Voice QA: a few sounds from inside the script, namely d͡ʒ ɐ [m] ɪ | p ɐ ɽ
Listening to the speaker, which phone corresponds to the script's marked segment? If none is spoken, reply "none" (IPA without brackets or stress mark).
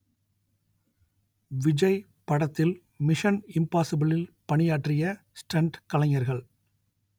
none